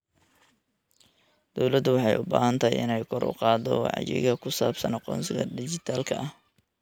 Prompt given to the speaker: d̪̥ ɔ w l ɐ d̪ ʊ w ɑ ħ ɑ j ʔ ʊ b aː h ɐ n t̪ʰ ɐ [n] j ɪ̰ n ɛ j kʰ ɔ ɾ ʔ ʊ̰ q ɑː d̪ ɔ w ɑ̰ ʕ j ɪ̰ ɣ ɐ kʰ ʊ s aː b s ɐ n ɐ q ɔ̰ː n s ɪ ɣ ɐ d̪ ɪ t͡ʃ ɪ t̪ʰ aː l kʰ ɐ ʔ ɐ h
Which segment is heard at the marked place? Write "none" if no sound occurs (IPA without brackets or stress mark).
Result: none